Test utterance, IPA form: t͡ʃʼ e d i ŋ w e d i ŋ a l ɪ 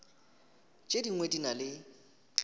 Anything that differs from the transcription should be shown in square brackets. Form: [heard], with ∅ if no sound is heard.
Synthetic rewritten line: t͡ʃʼ e d i ŋ w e d i [n] a l ɪ

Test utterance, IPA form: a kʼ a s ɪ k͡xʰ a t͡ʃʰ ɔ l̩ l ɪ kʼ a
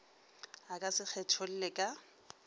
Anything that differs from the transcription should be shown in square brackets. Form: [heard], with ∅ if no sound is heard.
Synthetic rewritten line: a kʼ a s ɪ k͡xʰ [ɛ] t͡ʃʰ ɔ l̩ l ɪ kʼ a

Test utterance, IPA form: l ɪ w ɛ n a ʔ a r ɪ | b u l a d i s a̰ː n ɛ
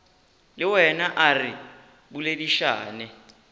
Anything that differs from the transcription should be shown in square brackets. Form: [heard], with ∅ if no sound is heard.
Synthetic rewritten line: l ɪ w ɛ n a ʔ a r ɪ | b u l [e] d i [ʃ] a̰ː n ɛ

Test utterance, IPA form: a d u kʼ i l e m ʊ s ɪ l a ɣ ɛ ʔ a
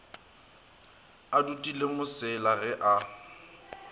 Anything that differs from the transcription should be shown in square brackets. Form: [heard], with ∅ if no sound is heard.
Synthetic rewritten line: a d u [tʼ] i l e m ʊ s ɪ l a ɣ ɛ ʔ a

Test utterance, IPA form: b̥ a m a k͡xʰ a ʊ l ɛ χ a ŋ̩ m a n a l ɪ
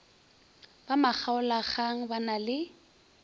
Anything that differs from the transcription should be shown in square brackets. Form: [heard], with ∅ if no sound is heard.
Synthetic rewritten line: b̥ a m a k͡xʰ a ʊ l [a] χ a ŋ̩ [b] a n a l ɪ

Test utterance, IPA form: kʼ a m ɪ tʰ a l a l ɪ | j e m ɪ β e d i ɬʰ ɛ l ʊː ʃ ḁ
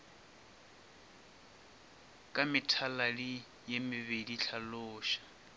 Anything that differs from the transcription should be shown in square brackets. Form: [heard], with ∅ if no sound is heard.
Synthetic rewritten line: kʼ a m ɪ tʰ a l a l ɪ | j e m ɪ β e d i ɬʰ [a] l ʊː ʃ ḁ

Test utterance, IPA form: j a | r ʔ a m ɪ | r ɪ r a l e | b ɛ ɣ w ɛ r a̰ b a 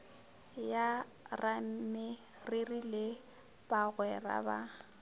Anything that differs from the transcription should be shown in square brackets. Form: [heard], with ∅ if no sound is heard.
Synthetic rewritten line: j a | r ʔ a m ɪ | r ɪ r [i] l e | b [a] ɣ w ɛ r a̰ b a

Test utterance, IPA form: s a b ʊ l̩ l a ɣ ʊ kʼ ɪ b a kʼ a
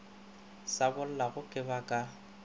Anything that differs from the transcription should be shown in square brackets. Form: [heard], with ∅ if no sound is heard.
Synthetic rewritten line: s a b ʊ l̩ l a ɣ ʊ kʼ ɪ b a kʼ a

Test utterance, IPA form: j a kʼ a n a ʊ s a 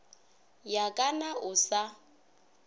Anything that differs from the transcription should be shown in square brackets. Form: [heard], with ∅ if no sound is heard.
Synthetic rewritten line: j a kʼ a n a ʊ s a

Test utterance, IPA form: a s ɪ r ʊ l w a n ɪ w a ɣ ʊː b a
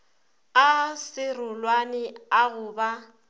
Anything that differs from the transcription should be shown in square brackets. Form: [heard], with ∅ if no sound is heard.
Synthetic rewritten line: a s ɪ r ʊ l w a n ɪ [∅] a ɣ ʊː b a

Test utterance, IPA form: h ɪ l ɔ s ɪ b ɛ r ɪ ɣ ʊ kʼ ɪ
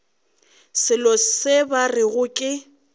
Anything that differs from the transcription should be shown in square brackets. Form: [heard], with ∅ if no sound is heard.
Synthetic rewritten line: [s] ɪ l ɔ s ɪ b [a] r ɪ ɣ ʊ kʼ ɪ

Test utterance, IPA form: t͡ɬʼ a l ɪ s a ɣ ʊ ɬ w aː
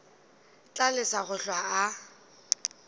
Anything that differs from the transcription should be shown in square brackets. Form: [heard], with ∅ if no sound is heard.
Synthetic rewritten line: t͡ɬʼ a l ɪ s a ɣ ʊ ɬ w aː

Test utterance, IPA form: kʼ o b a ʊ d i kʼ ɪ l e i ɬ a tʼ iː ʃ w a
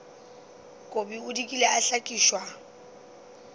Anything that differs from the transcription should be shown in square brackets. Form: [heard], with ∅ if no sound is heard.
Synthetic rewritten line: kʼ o b [i] ʊ d i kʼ [i] l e [a] ɬ a [kʼ] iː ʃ w a

